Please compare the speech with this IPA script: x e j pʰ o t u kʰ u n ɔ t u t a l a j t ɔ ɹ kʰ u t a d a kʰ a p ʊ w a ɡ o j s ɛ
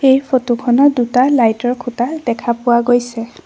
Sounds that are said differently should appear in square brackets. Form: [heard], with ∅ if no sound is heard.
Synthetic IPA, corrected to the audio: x e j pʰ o t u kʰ [ɔ] n ɔ [d] u t a l a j t ɔ ɹ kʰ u t a d [ɛ] kʰ a p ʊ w a ɡ o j s ɛ

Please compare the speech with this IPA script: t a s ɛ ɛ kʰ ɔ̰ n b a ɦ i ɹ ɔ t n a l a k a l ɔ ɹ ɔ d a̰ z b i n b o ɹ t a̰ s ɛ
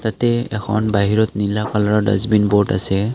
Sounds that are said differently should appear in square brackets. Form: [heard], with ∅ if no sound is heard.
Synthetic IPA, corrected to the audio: t a [t] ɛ ɛ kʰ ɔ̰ n b a ɦ i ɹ ɔ t n [i] l a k a l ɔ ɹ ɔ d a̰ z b i n b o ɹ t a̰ s ɛ

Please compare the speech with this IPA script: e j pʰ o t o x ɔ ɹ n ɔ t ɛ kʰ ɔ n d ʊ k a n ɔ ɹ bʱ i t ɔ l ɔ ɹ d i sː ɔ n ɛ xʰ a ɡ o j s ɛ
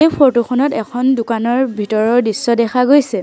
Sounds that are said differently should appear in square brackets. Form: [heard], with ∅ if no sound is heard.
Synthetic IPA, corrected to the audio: e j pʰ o t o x ɔ [∅] n ɔ t ɛ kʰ ɔ n d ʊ k a n ɔ ɹ bʱ i t ɔ [ɹ] ɔ ɹ d i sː ɔ [d] ɛ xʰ a ɡ o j s ɛ

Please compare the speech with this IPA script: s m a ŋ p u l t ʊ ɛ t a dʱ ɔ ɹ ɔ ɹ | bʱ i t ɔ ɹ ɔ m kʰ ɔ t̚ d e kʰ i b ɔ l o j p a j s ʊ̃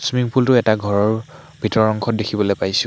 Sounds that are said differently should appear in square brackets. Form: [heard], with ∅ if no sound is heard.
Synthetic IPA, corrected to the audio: s m [i] ŋ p u l t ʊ ɛ t a [ɡʱ] ɔ ɹ ɔ ɹ | bʱ i t ɔ ɹ ɔ [ŋ] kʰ ɔ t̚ d e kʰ i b ɔ l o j p a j s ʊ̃

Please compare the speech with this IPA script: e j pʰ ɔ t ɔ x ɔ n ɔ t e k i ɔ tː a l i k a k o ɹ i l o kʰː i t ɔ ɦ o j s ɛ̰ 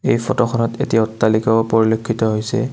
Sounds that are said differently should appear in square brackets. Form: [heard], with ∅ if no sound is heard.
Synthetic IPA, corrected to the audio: e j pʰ ɔ t ɔ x ɔ n ɔ t e [t] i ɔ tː a l i k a [p] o ɹ i l o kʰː i t ɔ ɦ o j s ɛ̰

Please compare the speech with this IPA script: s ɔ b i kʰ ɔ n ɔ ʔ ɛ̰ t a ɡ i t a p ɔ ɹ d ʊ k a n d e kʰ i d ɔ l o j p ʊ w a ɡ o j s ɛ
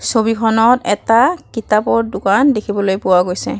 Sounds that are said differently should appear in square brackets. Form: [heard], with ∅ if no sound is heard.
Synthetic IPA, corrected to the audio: s [o] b i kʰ ɔ n ɔ [t] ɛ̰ t a [k] i t a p ɔ ɹ d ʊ k a n d e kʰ i [b] ɔ l o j p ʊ w a ɡ o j s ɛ

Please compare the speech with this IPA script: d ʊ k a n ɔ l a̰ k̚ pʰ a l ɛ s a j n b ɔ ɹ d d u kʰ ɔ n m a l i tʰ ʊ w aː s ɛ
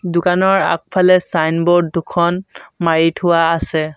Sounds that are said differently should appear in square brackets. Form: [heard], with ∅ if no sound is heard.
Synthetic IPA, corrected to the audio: d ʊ k a n ɔ [ɹ] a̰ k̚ pʰ a l ɛ s a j n b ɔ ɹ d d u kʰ ɔ n m a [ɹ] i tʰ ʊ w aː s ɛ

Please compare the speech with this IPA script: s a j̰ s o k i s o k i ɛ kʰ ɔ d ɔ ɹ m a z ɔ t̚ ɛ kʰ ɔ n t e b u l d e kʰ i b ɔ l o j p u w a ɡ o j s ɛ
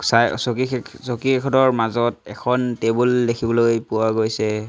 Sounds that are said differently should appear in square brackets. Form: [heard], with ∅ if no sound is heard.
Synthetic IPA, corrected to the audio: s a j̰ s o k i s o k i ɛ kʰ ɔ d ɔ ɹ m a z ɔ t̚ ɛ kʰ ɔ n t e b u l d e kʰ i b ɔ l o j p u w a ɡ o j s ɛ

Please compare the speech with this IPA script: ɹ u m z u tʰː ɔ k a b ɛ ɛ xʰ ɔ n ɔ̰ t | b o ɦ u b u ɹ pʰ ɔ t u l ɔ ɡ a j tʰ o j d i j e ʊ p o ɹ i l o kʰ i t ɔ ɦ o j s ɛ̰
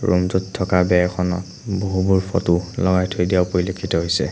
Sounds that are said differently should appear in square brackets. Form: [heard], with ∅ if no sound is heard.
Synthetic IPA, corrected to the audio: ɹ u m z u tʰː ɔ k a b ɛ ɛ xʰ ɔ n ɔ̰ t | b o ɦ u b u ɹ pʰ ɔ t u l ɔ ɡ a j tʰ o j d i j [a] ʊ p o ɹ i l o kʰ i t ɔ ɦ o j s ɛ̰

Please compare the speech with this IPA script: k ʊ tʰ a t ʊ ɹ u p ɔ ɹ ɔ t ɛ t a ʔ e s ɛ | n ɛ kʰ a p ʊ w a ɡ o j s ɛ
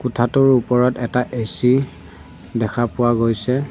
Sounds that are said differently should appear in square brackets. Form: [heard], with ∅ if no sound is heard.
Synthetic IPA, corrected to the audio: k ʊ tʰ a t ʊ ɹ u p ɔ ɹ ɔ t ɛ t a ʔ e s [i] | [d] ɛ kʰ a p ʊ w a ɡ o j s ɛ

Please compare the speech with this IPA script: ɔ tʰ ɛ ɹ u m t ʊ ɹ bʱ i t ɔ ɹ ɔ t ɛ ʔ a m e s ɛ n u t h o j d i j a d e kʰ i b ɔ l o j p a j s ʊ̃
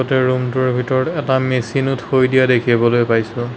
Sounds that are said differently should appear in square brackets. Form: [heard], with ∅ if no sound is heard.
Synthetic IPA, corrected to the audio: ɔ [t] ɛ ɹ u m t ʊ ɹ bʱ i t ɔ ɹ ɔ t ɛ [t] a m e s [i] n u t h o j d i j a d e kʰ i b ɔ l o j p a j s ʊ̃

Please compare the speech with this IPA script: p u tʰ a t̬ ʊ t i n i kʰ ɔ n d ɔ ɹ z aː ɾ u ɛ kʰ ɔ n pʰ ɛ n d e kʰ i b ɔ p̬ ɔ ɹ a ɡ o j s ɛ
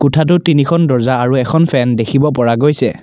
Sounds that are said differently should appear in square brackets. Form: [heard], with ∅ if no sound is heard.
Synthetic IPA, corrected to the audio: [k] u tʰ a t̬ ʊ t i n i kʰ ɔ n d ɔ ɹ z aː [ɹ] u ɛ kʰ ɔ n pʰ ɛ n d e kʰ i b ɔ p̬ ɔ ɹ a ɡ o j s ɛ

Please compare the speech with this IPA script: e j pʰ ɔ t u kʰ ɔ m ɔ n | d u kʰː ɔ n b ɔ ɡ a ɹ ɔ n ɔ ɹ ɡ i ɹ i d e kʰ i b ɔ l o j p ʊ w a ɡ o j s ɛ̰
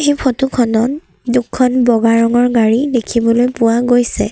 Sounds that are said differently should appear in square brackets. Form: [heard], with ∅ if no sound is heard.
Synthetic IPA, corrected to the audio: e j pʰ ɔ t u kʰ ɔ [n] ɔ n | d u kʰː ɔ n b ɔ ɡ a ɹ ɔ [ŋ] ɔ ɹ ɡ [a] ɹ i d e kʰ i b ɔ l o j p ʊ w a ɡ o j s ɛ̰

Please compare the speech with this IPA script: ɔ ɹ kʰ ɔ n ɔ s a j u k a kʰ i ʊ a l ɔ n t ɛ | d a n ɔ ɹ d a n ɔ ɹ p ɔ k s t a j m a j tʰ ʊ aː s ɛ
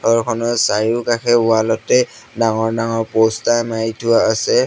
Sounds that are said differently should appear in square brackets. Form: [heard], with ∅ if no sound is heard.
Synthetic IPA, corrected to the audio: ɔ ɹ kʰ ɔ n ɔ s a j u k a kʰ [ɛ] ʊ a l ɔ [∅] t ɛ | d a [ŋ] ɔ ɹ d a [ŋ] ɔ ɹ p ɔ [∅] s t a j m a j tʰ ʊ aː s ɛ

